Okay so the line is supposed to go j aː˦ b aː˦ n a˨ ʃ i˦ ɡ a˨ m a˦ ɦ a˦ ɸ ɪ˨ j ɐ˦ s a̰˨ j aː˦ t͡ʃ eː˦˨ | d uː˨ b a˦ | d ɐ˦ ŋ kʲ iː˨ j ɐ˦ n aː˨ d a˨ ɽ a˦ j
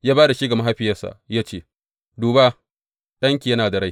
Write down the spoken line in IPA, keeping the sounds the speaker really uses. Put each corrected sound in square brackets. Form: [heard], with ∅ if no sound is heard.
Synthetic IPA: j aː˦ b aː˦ [d] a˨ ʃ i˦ ɡ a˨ m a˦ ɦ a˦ ɸ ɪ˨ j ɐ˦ s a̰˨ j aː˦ t͡ʃ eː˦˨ | d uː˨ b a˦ | [ɗ] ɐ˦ ŋ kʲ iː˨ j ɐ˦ n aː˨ d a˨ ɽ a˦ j

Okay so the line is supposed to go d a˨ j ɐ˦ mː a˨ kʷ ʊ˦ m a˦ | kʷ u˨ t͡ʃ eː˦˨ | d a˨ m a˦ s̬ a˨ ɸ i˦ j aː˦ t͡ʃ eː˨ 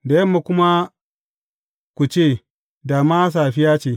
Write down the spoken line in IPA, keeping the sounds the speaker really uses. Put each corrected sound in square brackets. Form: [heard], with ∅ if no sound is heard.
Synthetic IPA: d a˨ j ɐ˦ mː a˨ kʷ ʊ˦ m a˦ | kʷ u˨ t͡ʃ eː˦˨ | d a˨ m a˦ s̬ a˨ ɸ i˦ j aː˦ t͡ʃ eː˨

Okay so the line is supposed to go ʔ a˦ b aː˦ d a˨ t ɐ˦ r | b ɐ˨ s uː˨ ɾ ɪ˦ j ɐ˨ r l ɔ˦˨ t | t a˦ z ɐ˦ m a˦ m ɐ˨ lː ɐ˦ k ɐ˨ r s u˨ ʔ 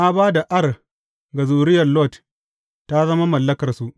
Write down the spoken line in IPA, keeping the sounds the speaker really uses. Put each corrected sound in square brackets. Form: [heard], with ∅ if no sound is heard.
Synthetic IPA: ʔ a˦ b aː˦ d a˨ [ʔ] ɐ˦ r | [ɡ] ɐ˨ [z] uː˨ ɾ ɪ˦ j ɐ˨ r l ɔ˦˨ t | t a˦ z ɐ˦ m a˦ m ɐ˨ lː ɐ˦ k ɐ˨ r s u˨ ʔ

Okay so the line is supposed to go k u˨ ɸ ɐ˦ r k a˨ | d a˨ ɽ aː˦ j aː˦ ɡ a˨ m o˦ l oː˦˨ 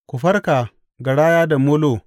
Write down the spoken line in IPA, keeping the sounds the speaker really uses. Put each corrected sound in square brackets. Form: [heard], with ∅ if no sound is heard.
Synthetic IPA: k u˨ ɸ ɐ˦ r k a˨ | [ɡ] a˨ ɽ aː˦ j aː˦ [d] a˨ m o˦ l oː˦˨

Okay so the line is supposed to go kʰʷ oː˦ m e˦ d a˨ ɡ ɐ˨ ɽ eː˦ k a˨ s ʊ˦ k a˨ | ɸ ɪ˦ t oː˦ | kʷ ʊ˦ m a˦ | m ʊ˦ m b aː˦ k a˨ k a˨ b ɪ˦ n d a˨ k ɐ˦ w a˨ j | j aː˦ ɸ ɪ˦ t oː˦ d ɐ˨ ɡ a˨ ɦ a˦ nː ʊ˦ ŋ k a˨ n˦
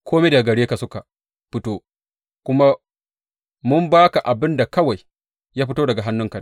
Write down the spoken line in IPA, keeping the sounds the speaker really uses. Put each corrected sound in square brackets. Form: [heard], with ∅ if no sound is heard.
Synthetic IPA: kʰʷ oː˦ m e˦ d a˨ ɡ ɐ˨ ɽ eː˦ k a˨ s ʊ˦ k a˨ | ɸ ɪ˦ t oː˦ | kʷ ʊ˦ m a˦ | m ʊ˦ m b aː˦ k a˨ [ʔ] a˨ b ɪ˦ n d a˨ k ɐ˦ w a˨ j | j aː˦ ɸ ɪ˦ t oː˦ d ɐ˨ ɡ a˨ ɦ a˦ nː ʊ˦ ŋ k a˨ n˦

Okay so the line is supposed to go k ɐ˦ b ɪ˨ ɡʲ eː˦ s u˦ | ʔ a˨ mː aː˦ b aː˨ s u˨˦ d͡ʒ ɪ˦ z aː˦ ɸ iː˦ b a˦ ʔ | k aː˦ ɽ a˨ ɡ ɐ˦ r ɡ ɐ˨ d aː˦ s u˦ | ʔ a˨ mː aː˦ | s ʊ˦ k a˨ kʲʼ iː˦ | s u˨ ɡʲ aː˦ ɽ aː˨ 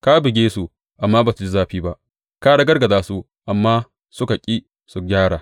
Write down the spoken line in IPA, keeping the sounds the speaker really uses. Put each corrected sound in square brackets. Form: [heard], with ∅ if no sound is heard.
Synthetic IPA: k [a˦] b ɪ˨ ɡʲ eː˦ s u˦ | ʔ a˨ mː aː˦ b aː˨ s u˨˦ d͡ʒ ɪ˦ z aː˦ ɸ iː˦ b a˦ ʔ | k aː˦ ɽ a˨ ɡ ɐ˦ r ɡ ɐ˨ d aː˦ s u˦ | ʔ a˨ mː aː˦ | s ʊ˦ k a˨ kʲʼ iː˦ | s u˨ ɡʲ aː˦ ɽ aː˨

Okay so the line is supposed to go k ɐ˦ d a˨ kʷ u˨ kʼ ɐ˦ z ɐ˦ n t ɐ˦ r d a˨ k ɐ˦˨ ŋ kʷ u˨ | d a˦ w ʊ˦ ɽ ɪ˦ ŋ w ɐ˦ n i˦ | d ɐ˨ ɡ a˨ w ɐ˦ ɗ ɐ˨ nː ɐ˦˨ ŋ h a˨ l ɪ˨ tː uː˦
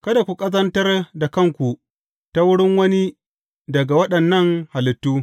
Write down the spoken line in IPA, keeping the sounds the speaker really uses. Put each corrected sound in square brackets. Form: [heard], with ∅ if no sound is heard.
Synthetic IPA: k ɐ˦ d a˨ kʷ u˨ kʼ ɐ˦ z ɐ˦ n t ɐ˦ r d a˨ k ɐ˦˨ ŋ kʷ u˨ | [t] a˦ w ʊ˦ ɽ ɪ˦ ŋ w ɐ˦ n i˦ | d ɐ˨ ɡ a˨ w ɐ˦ ɗ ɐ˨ nː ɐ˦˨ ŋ h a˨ l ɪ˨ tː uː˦

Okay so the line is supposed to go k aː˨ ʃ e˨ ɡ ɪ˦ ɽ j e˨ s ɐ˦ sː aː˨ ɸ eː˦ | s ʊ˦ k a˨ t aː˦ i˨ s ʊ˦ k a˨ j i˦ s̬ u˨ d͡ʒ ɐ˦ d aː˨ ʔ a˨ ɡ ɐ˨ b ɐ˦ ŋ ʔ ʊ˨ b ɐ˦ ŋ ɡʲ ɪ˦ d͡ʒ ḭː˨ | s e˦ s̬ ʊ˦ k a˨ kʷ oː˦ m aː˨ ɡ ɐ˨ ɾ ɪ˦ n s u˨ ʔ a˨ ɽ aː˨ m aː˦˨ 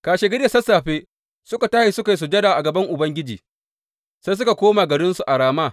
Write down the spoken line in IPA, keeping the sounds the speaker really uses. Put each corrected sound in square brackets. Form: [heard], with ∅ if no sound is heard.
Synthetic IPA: k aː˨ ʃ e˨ ɡ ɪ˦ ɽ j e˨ s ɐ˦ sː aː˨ ɸ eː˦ | s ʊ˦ k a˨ t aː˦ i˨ s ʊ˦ k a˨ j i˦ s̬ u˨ d͡ʒ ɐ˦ d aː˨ ʔ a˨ ɡ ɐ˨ b ɐ˦ ŋ ʔ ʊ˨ b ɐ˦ ŋ ɡʲ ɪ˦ d͡ʒ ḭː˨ | s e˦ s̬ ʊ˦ k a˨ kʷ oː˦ m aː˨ ɡ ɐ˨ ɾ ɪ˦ n s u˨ ʔ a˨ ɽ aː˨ m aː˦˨

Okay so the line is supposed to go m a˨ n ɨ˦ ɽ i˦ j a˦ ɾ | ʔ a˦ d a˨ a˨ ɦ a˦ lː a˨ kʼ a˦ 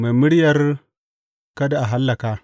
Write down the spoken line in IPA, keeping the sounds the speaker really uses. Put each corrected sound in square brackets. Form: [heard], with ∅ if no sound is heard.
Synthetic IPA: m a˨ [m] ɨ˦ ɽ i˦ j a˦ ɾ | [k] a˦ d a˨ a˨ ɦ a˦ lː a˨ [k] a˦

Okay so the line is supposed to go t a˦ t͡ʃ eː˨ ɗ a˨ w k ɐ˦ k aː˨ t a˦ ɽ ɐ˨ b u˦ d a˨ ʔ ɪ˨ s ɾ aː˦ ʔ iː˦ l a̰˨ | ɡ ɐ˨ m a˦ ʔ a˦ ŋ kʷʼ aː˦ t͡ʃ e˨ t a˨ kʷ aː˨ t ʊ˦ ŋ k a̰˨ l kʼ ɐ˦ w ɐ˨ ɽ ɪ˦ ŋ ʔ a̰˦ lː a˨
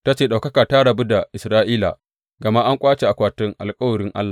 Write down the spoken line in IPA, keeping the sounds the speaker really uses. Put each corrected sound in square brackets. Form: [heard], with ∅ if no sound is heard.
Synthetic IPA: t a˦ t͡ʃ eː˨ ɗ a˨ w k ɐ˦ k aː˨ t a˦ ɽ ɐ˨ b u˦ d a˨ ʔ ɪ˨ s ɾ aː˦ ʔ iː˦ l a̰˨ | ɡ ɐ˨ m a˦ ʔ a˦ ŋ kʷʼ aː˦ t͡ʃ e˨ [ʔ] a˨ kʷ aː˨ t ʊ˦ ŋ [ʔ] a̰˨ l kʼ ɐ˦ w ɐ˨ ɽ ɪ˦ ŋ ʔ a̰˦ lː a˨

